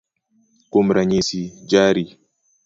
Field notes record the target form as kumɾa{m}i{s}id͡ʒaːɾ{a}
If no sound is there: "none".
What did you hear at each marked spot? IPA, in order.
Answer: ɲ, s, i

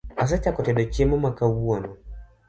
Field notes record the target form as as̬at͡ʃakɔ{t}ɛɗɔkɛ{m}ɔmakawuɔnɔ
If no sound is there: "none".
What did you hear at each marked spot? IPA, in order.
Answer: t, m

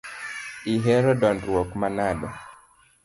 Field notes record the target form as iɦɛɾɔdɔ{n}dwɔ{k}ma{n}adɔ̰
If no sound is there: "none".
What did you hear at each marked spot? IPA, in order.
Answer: n, k, n

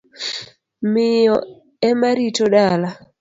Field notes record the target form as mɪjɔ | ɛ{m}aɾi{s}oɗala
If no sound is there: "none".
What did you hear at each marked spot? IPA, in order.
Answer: m, t

